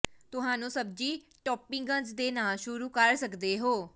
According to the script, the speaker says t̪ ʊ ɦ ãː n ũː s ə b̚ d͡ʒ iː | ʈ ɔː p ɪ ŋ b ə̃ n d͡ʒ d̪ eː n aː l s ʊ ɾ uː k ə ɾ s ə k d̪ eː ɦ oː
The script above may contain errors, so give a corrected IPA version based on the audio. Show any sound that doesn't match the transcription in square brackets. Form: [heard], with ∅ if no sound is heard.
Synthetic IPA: t̪ ʊ ɦ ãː n ũː s ə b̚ d͡ʒ iː | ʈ ɔː p ɪ ŋ [ɡ] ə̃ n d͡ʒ d̪ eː n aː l [ʃ] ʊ ɾ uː k ə ɾ s ə k d̪ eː ɦ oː